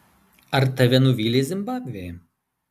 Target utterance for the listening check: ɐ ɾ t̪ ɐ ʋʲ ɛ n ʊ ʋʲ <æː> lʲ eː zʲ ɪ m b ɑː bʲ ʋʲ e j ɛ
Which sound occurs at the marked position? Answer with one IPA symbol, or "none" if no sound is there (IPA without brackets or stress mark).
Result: iː